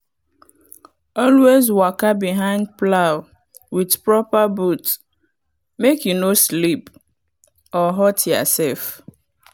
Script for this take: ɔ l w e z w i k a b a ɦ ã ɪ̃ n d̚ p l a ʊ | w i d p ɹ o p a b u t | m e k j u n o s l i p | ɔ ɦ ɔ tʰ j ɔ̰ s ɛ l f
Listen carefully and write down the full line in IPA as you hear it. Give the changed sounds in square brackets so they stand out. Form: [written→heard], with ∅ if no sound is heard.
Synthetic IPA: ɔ l w e z w [i→a] k a b [a→i] ɦ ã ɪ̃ n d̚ p l a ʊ | w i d p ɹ [o→ɔ] p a b u t | m e k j u n o s l i p | ɔ ɦ ɔ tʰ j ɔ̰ s ɛ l f